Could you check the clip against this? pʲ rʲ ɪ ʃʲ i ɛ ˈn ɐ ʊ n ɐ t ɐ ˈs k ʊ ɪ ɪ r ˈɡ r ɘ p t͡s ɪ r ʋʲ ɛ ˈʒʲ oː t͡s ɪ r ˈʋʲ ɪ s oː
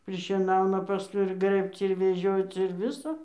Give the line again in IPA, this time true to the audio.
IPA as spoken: pʲ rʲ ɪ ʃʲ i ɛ ˈn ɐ ʊ n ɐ p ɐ ˈs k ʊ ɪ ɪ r ˈɡ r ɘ p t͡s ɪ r ʋʲ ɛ ˈʒʲ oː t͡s ɪ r ˈʋʲ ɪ s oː

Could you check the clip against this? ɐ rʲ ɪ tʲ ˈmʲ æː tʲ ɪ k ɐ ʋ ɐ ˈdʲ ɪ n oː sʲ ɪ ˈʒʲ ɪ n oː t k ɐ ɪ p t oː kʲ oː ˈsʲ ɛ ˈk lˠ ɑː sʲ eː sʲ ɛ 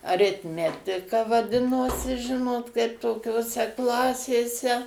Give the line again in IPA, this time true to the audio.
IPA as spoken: ɐ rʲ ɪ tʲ ˈmʲ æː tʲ ɪ k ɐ ʋ ɐ ˈdʲ ɪ n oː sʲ ɪ ˈʒʲ ɪ n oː t k ɐ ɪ p t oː kʲ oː ˈsʲ ɛ ˈk lˠ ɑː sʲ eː sʲ ɛ

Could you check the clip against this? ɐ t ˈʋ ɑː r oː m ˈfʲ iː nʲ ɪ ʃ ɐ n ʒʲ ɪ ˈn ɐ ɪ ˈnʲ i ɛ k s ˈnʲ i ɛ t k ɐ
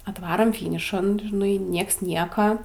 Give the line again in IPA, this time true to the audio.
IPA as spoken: ɐ t ˈʋ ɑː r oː m ˈfʲ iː nʲ ɪ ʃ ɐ n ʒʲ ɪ ˈn ɐ ɪ ˈnʲ i ɛ k s ˈnʲ i ɛ k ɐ

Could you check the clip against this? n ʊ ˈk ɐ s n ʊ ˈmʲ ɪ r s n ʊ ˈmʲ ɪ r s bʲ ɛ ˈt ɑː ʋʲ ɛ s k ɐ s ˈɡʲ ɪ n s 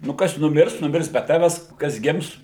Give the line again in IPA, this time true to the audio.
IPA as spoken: n ʊ ˈk ɐ s n ʊ ˈmʲ ɪ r s n ʊ ˈmʲ ɪ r s bʲ ɛ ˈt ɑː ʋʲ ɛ s k ɐ s ˈɡʲ ɪ m s

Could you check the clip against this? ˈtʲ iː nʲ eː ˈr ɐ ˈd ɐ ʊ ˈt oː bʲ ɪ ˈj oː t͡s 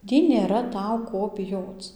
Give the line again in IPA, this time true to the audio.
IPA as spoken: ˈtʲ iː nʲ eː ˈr ɐ ˈt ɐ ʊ ˈk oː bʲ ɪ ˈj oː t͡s

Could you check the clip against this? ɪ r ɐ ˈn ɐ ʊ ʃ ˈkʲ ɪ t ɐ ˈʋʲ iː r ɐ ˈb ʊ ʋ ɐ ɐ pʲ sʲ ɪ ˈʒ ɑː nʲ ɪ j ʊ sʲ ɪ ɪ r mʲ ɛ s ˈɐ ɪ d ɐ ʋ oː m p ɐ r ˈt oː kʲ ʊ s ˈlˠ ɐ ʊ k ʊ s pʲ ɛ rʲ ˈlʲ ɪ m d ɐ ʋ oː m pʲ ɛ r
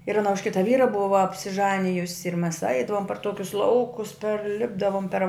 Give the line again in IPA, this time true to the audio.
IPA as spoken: ɪ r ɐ ˈn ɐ ʊ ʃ ˈkʲ ɪ t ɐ ˈʋʲ iː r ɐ ˈb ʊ ʋ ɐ ɐ pʲ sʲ ɪ ˈʒ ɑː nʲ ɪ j ʊ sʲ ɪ ɪ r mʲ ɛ s ˈɐ ɪ d ɐ ʋ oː m p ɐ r ˈt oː kʲ ʊ s ˈlˠ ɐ ʊ k ʊ s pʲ ɛ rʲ ˈlʲ ɪ b d ɐ ʋ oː m pʲ ɛ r

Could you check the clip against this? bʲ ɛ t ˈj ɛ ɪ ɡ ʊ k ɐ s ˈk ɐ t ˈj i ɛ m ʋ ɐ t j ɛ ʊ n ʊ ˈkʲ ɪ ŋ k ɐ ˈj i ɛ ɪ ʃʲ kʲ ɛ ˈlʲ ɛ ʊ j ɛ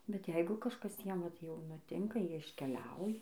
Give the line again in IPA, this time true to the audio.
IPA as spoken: bʲ ɛ t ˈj ɛ ɪ ɡ ʊ k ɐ ʃ ˈk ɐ s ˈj i ɛ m ʋ ɐ t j ɛ ʊ n ʊ ˈtʲ ɪ ŋ k ɐ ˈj i ɛ ɪ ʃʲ kʲ ɛ ˈlʲ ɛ ʊ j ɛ

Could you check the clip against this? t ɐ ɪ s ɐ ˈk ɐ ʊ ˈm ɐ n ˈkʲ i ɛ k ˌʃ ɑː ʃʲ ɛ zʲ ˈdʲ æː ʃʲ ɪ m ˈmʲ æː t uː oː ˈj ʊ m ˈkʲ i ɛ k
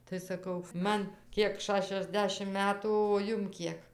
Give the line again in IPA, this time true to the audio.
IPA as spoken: t ɐ ɪ s ɐ ˈk ɐ ʊ ˈm ɐ n ˈkʲ i ɛ k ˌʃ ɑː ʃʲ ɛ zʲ ˈdʲ æː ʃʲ ɪ m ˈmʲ æː t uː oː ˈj ʊ m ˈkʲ i ɛ k

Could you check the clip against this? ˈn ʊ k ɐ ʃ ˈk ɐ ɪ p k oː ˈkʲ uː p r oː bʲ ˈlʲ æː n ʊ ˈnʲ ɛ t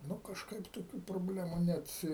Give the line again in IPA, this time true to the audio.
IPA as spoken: ˈn ʊ k ɐ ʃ ˈk ɐ ɪ p t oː ˈkʲ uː p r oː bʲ ˈlʲ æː m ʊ ˈnʲ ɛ t

